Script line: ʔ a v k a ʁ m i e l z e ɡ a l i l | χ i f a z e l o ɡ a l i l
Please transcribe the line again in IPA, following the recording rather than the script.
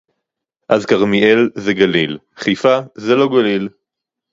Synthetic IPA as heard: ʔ a z k a ʁ m i e l z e ɡ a l i l | χ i f a z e l o ɡ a l i l